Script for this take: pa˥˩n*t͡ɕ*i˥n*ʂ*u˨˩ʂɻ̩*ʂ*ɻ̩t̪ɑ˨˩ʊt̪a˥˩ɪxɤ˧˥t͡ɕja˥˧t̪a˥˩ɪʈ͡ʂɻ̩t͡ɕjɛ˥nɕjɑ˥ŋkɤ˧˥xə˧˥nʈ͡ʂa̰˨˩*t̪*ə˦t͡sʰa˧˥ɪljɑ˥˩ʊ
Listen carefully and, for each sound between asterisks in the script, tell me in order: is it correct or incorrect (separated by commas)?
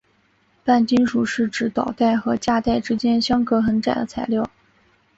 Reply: correct, correct, incorrect, incorrect